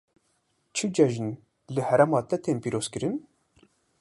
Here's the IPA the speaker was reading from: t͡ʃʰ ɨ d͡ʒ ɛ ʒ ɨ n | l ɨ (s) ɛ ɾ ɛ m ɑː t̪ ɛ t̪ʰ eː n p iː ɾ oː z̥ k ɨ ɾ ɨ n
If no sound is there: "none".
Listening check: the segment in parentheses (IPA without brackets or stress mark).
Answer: h